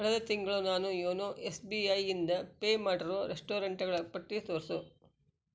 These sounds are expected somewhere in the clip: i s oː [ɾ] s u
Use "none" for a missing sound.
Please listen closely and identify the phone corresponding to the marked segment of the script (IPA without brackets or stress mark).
ɾ